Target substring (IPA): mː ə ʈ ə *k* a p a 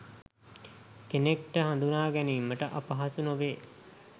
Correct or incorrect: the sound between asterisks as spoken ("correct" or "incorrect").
incorrect